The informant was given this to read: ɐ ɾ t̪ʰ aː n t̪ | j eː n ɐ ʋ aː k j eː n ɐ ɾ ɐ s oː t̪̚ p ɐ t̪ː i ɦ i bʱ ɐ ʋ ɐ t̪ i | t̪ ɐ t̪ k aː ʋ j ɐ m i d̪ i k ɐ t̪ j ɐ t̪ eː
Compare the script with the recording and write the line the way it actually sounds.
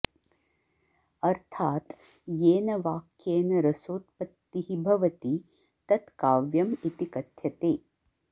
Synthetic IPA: ɐ ɾ t̪ʰ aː t̪ | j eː n ɐ ʋ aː k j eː n ɐ ɾ ɐ s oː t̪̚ p ɐ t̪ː i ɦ i bʱ ɐ ʋ ɐ t̪ i | t̪ ɐ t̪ k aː ʋ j ɐ m i t̪ i k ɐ t̪ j ɐ t̪ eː